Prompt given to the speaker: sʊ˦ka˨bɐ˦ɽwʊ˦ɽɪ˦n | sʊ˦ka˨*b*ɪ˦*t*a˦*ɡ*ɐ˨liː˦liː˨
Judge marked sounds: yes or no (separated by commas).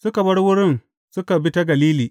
yes, yes, yes